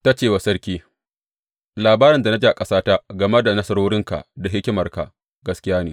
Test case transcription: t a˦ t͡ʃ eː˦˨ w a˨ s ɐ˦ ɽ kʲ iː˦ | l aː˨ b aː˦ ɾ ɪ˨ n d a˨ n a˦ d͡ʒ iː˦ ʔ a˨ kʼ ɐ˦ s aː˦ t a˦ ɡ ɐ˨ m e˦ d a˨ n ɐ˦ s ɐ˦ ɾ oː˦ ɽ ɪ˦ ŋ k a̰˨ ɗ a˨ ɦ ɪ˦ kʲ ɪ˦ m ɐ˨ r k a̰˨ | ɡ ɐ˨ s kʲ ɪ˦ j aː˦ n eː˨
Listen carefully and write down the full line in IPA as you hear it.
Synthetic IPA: t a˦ t͡ʃ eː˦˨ w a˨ s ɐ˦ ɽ kʲ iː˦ | l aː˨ b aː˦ ɾ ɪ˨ n d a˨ n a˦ d͡ʒ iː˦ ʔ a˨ kʼ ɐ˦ s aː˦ t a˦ ɡ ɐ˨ m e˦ d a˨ n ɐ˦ s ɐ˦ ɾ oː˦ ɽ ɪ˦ ŋ k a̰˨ d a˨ ɦ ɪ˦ kʲ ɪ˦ m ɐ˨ r k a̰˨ | ɡ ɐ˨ s kʲ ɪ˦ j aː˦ n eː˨